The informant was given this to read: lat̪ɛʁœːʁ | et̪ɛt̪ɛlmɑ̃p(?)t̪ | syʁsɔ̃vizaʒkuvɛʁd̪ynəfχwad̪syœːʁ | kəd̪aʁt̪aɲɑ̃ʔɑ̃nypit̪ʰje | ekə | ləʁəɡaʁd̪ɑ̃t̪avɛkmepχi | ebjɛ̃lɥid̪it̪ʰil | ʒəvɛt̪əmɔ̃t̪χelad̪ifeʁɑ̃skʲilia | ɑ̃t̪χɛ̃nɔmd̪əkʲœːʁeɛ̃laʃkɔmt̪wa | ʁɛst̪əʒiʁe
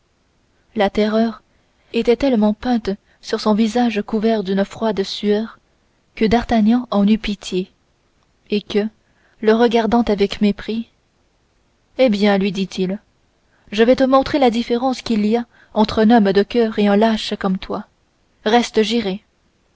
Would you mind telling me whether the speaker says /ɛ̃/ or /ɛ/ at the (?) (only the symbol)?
ɛ̃